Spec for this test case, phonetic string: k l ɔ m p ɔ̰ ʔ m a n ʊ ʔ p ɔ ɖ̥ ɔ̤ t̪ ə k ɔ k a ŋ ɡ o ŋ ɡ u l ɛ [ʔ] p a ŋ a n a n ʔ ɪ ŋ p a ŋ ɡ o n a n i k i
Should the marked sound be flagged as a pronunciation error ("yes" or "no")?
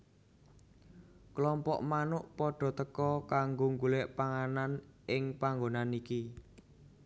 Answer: no